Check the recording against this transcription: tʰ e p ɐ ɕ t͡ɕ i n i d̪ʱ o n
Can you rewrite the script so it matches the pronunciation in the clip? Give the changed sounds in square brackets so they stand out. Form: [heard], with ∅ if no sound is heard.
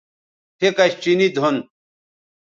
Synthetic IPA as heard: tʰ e [k] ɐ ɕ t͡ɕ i n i d̪ʱ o n

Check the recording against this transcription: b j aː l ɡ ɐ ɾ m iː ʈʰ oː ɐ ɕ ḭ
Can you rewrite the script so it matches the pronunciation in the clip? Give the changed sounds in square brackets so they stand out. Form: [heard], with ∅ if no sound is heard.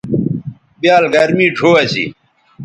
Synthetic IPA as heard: b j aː l ɡ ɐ ɾ m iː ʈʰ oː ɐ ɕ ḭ

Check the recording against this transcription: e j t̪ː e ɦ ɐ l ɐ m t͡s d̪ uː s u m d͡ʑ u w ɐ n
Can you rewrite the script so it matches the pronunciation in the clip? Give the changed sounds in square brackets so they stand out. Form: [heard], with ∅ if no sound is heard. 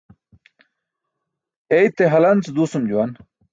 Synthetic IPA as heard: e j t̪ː e ɦ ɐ l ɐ [n] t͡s d̪ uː s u m d͡ʑ u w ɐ n

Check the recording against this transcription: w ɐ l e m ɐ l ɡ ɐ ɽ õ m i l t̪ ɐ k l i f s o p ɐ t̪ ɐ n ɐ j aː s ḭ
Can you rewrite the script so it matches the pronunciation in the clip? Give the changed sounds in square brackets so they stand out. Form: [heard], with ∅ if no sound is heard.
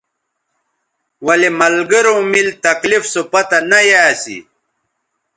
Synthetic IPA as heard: w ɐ l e m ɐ l ɡ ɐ [ɾ] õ m i l t̪ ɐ k l i f s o p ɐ t̪ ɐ n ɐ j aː s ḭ

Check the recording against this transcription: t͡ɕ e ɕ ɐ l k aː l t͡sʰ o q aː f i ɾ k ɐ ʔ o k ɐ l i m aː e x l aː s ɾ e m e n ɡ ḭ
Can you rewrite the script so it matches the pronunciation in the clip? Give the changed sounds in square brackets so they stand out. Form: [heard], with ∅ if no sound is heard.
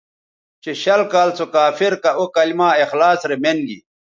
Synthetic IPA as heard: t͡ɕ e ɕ ɐ l k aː l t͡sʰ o [k] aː f i ɾ k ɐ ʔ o k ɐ l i m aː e x l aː s ɾ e m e n ɡ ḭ

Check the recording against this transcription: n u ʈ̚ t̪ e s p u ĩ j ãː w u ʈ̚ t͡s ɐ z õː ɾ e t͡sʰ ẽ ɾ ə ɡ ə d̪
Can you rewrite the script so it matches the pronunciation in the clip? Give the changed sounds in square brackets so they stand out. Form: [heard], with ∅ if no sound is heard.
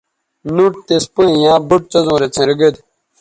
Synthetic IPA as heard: n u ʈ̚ t̪ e s p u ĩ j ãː [b] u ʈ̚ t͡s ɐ z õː ɾ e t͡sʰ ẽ ɾ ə ɡ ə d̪

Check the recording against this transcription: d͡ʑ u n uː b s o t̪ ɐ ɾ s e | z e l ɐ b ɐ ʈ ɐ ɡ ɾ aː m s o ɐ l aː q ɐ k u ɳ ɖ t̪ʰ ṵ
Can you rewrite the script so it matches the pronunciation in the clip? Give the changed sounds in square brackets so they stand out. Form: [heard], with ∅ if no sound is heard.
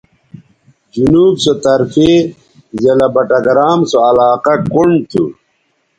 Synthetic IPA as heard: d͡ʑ u n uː b s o t̪ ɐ ɾ [f] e | z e l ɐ b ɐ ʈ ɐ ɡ ɾ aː m s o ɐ l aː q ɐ k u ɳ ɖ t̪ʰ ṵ

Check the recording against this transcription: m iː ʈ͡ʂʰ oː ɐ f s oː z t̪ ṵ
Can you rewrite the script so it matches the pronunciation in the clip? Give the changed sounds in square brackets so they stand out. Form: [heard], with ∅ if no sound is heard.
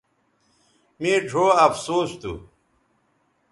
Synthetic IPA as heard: m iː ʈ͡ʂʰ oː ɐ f s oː [s] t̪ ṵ

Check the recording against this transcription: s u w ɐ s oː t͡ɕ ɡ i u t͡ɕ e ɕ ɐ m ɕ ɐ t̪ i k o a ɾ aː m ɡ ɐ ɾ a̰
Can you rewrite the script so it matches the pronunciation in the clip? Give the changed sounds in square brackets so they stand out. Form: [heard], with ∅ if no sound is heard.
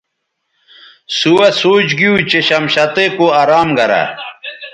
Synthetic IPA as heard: s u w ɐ s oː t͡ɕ ɡ i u t͡ɕ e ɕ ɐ m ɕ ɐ t̪ [e] k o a ɾ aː m ɡ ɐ ɾ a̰

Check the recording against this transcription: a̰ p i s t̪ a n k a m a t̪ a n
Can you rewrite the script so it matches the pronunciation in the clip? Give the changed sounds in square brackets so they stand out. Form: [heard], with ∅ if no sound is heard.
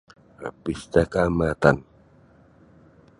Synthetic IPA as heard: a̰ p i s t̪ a [∅] k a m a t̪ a n

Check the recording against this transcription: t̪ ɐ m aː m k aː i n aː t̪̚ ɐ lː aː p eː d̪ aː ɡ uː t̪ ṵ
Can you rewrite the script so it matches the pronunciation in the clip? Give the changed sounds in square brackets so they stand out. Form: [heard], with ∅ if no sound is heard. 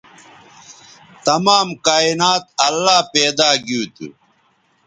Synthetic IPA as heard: t̪ ɐ m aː m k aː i n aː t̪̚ ɐ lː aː p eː d̪ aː ɡ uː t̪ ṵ

